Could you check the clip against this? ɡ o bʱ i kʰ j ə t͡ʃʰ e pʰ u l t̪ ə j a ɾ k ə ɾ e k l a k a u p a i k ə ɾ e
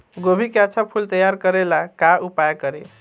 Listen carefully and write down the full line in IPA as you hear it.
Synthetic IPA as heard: ɡ o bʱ i k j a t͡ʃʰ a pʰ u l t̪ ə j a ɾ k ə ɾ e l a k a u p a j k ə ɾ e